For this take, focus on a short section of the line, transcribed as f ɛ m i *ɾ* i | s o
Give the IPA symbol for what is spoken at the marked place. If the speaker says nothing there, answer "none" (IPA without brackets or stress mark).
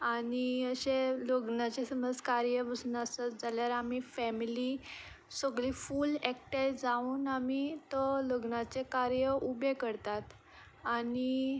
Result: l